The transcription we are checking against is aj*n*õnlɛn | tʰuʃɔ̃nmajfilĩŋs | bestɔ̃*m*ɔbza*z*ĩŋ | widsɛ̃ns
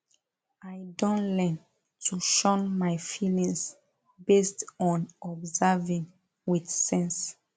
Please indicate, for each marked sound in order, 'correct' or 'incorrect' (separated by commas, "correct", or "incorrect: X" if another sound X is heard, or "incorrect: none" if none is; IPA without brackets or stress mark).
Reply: incorrect: d, incorrect: n, incorrect: v